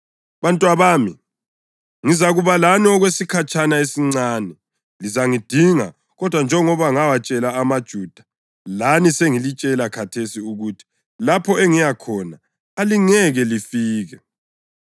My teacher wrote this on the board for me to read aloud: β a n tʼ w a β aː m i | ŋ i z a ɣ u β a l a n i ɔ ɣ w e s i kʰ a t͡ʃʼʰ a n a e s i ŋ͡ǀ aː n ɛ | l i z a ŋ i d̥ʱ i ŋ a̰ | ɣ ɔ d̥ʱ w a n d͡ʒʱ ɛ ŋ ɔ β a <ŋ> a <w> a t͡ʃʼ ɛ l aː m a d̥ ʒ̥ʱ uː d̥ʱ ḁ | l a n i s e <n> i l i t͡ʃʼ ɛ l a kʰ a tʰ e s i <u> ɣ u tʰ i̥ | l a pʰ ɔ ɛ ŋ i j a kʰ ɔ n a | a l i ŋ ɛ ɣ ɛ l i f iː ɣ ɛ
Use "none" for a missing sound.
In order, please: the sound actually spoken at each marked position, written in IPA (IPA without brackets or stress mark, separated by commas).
ŋ, w, ŋ, u